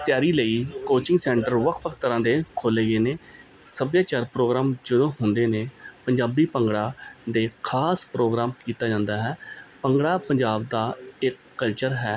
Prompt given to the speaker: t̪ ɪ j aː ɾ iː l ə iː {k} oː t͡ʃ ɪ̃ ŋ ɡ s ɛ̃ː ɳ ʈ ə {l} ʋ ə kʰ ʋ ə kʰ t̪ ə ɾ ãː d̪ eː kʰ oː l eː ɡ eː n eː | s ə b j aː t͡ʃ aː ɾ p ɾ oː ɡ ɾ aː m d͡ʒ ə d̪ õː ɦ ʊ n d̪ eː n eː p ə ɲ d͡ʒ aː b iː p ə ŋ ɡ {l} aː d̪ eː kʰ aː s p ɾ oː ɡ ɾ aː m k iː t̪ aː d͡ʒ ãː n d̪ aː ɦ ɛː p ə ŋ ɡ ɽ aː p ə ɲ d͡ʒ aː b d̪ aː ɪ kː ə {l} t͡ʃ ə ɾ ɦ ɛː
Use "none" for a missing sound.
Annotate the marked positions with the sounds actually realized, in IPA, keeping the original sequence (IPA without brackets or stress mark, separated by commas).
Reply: k, ɾ, ɽ, l